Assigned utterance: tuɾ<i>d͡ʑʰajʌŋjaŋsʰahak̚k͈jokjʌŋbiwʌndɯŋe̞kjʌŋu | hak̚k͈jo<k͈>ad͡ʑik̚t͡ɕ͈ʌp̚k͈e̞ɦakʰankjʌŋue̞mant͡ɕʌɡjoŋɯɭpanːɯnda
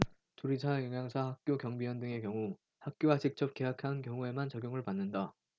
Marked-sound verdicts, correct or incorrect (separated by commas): correct, incorrect